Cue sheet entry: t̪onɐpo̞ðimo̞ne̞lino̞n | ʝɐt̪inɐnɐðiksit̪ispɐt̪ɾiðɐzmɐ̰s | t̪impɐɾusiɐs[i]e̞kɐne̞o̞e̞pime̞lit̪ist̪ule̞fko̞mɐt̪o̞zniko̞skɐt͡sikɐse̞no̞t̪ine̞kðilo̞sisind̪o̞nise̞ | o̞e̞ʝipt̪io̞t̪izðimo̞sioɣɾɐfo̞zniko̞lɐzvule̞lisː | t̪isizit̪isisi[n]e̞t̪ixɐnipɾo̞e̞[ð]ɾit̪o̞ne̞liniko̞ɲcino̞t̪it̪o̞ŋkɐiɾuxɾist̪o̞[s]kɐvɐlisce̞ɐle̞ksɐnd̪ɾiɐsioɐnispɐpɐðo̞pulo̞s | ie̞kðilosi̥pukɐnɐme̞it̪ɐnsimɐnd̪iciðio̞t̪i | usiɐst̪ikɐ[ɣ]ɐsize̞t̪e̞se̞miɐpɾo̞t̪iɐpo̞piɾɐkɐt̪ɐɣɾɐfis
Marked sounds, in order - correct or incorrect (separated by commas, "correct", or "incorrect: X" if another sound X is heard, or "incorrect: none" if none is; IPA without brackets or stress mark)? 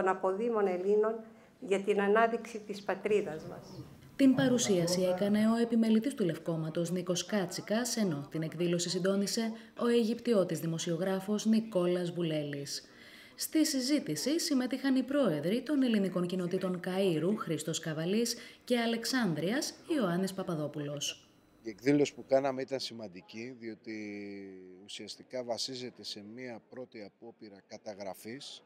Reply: correct, incorrect: m, correct, correct, incorrect: v